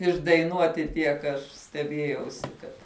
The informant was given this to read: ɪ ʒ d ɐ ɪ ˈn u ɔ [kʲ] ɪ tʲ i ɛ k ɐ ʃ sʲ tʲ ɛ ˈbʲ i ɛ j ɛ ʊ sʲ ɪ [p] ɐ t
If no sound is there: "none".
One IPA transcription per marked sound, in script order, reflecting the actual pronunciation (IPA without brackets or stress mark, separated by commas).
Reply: tʲ, k